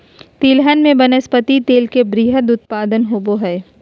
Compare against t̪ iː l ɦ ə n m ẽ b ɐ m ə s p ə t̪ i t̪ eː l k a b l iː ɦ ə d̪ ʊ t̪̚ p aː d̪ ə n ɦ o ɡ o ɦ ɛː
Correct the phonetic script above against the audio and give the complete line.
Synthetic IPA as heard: t̪ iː l ɦ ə n m ẽ b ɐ n ə s p ə t̪ i t̪ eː l k e b ɾ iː ɦ ə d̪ ʊ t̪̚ p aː d̪ ə n ɦ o b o ɦ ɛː